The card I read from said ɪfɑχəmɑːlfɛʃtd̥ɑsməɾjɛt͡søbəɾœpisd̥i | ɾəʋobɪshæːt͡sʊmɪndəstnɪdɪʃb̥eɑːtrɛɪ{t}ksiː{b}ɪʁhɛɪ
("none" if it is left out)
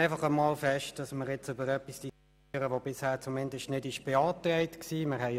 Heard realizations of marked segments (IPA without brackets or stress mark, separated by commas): t, m